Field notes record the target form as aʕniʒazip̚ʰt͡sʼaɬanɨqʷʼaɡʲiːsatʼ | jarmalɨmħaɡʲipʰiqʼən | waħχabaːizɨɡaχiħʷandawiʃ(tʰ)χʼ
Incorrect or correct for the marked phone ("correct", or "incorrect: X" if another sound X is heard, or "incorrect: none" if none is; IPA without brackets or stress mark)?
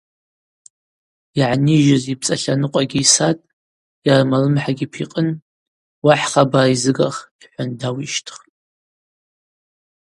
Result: correct